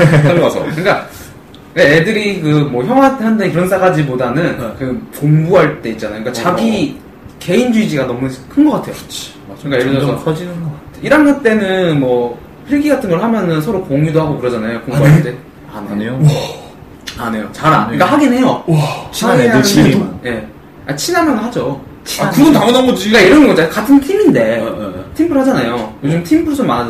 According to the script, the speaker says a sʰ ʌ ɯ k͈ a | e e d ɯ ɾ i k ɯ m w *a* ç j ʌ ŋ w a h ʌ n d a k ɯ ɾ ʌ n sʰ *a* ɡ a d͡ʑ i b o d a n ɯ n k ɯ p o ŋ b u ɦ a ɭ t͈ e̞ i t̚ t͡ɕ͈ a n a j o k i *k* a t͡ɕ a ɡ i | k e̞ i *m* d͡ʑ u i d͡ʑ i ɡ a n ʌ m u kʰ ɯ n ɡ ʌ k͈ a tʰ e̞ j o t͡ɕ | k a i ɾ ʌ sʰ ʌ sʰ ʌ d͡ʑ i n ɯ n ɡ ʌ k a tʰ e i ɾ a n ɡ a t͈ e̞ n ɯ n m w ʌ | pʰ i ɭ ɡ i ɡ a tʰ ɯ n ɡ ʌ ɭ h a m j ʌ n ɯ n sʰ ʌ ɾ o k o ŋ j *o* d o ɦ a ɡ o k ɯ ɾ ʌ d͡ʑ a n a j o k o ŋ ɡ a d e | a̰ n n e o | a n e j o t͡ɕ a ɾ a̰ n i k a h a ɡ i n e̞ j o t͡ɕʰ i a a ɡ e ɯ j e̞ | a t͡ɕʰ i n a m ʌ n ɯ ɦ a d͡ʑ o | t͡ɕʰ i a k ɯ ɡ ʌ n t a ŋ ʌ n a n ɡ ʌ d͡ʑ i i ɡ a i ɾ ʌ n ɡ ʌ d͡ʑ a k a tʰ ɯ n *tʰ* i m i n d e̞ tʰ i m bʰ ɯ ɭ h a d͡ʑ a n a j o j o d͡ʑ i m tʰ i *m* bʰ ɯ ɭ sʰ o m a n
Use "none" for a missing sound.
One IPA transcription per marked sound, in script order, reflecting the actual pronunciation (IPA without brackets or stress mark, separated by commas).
ʌ, a, k, n, u, tʰ, m